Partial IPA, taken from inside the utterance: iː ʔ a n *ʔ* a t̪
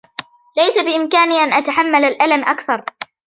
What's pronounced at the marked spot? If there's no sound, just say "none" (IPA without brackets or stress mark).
ʔ